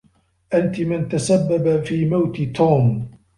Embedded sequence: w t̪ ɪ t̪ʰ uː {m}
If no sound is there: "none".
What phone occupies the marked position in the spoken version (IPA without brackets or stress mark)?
m